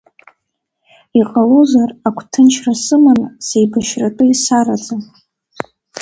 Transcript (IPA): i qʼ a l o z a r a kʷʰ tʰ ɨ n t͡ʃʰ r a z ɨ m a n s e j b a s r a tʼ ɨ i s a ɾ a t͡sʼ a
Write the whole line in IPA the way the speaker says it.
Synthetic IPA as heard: i qʼ a l o z a r a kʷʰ tʰ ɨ n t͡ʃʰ r a s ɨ m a n s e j b a ʃ r a tʼ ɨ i s a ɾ a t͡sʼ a